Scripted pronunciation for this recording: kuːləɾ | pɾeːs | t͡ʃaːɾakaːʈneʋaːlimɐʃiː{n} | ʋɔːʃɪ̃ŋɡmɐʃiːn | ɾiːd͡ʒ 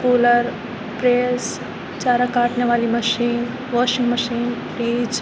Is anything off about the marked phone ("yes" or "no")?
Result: no